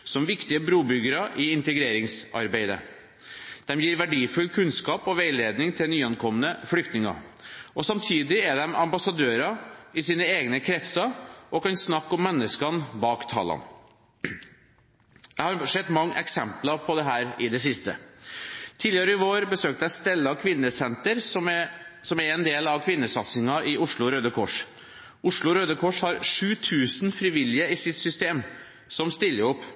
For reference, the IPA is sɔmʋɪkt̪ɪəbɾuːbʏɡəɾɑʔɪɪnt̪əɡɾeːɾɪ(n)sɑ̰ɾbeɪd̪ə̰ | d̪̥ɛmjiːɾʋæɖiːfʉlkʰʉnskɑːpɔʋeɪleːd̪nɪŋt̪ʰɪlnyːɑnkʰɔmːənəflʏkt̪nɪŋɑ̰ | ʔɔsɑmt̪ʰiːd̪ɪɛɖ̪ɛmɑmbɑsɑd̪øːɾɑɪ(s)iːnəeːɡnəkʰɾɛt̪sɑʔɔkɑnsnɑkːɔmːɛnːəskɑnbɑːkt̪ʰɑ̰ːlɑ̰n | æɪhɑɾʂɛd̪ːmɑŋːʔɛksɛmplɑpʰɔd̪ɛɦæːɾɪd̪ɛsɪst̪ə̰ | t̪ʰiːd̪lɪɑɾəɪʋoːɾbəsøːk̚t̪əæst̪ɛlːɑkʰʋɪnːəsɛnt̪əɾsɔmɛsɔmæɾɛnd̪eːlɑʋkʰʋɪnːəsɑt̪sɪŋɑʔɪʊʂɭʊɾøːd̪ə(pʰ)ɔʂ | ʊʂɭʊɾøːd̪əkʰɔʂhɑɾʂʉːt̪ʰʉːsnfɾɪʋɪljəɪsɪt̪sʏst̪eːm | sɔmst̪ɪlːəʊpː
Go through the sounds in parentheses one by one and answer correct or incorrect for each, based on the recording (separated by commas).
incorrect, correct, incorrect